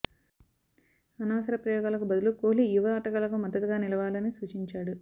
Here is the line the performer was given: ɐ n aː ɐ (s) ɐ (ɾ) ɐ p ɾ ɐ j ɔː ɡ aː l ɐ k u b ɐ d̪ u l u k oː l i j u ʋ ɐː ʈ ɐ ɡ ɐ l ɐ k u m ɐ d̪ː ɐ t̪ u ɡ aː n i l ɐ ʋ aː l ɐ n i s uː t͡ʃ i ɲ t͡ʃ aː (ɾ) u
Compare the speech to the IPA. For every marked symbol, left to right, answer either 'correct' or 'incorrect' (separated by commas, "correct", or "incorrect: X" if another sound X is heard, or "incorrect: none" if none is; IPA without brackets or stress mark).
correct, correct, incorrect: ɽ